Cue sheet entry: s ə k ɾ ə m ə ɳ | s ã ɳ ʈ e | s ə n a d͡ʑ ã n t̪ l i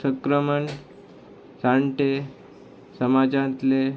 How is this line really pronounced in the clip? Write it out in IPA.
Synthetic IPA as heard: s ə k ɾ ə m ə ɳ | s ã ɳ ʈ e | s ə m a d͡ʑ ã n t̪ l e

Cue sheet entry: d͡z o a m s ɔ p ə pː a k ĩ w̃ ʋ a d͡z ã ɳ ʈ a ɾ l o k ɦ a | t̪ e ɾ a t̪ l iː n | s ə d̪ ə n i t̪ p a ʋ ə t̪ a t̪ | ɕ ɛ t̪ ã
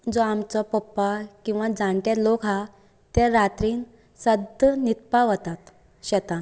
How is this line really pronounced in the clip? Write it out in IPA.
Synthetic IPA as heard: d͡z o a m t͡s ɔ p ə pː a k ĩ w̃ ʋ a d͡z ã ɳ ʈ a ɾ l o k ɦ a | t̪ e ɾ a t̪ ɾ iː n | s ə d̪ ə n i t̪ p a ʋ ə t̪ a t̪ | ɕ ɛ t̪ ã

